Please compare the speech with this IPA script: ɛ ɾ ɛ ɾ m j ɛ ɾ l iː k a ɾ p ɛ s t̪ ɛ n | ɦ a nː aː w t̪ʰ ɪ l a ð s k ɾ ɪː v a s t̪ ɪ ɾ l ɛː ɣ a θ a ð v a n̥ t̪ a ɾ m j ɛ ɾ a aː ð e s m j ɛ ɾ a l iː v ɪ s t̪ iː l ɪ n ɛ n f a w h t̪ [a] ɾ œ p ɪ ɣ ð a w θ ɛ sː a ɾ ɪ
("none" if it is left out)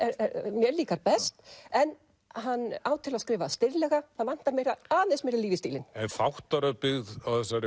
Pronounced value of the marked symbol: a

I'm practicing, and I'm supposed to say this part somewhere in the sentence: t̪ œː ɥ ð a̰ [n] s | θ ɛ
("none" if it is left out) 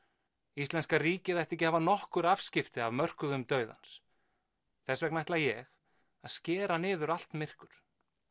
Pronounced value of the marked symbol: n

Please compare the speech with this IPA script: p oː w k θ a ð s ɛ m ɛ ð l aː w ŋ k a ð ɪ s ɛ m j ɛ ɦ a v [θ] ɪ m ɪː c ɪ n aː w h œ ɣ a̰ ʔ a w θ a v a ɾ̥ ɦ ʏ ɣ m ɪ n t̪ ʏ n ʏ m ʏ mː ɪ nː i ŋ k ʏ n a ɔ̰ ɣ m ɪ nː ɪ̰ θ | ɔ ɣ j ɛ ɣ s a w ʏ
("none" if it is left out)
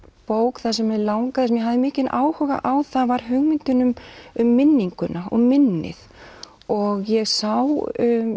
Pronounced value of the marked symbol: ð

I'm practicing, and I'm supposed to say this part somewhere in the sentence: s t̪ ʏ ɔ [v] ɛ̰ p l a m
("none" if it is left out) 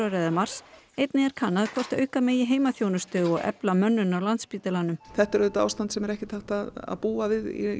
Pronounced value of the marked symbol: ɣ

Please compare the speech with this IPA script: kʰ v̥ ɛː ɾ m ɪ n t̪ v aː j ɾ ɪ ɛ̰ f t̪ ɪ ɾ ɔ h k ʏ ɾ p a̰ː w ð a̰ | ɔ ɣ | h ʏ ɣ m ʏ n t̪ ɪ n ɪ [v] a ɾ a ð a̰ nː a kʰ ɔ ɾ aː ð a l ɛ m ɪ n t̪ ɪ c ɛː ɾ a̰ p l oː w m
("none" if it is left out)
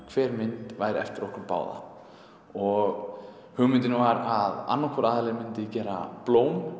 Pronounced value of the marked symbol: v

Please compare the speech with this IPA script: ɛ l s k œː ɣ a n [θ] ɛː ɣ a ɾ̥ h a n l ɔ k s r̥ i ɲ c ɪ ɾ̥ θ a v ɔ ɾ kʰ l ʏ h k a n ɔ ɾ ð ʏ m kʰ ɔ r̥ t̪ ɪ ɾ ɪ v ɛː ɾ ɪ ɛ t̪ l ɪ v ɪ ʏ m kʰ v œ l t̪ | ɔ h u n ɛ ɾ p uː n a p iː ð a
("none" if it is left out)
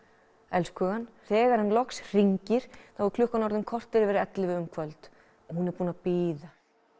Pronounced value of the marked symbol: θ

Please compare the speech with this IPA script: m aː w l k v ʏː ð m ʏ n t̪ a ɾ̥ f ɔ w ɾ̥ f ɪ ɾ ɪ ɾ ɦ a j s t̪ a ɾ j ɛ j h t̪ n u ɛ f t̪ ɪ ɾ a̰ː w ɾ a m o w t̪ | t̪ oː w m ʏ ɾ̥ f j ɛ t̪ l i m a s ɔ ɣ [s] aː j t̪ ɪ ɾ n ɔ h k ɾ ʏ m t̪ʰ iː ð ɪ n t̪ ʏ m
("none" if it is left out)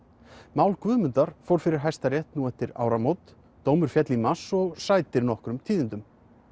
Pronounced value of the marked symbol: s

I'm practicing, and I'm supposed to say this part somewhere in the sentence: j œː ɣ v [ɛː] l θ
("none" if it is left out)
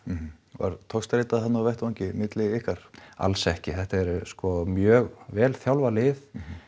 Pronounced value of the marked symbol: ɛː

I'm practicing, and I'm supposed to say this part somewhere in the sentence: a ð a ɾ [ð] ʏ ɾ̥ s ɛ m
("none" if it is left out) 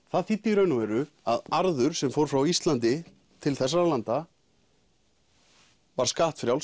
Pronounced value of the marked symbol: ð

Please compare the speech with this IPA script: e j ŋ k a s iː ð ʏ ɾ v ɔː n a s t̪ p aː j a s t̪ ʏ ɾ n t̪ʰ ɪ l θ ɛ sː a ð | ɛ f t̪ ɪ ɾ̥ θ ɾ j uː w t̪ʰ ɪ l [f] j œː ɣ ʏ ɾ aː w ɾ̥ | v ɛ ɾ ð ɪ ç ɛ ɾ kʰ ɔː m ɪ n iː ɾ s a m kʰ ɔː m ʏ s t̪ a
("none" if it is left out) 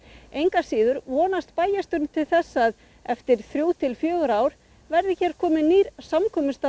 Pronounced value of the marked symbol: f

